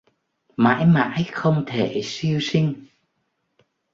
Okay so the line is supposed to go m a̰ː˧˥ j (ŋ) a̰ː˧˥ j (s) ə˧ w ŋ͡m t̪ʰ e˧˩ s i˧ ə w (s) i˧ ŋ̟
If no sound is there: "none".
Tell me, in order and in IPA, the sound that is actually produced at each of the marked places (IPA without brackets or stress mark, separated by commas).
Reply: m, x, s